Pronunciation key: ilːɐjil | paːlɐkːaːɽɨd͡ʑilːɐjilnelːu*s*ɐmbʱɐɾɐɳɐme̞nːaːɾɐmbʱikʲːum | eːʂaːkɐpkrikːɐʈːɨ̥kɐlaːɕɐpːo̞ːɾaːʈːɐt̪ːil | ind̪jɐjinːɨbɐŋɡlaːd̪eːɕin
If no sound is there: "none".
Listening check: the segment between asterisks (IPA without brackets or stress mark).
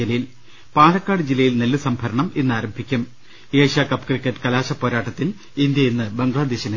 s